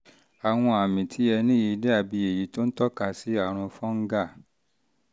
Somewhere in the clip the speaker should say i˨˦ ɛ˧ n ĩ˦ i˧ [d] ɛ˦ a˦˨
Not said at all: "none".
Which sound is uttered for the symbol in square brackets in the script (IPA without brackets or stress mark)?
d